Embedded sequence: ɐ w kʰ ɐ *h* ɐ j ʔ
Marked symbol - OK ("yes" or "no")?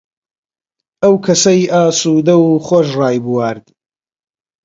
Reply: no